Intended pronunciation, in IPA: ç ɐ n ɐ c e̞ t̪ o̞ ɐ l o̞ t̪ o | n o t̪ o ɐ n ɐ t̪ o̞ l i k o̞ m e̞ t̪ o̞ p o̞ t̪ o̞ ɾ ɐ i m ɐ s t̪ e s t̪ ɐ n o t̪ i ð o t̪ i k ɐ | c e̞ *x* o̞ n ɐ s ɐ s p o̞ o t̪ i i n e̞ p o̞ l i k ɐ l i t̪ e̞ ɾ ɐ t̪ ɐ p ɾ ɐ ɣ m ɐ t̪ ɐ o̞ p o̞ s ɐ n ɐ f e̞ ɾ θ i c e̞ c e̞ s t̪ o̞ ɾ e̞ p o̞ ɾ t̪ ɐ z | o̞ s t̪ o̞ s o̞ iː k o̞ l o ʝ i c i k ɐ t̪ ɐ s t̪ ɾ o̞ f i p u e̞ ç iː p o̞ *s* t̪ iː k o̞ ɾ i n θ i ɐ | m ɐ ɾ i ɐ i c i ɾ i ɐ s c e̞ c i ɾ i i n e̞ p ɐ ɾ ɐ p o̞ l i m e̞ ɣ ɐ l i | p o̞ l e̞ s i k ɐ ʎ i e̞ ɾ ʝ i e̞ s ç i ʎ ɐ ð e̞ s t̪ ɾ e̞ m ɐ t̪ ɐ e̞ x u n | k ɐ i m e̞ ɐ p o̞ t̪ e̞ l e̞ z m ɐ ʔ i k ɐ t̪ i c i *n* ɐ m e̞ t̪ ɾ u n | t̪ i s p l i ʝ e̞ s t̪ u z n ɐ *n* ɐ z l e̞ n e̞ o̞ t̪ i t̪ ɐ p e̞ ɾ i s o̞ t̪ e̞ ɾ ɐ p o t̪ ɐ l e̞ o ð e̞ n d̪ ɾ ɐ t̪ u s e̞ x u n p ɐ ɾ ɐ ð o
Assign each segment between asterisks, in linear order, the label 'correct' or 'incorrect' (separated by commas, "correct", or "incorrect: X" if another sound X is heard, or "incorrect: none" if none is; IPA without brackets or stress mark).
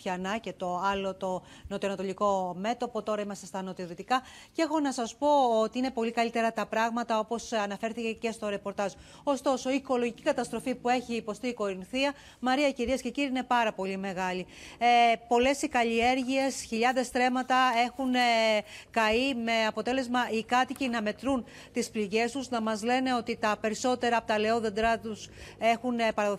correct, correct, correct, incorrect: m